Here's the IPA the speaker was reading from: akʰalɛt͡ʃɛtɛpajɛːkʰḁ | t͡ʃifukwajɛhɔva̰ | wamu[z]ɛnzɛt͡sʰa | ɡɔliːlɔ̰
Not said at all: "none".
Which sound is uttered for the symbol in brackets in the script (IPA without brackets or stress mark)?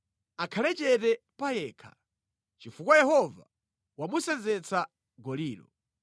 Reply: s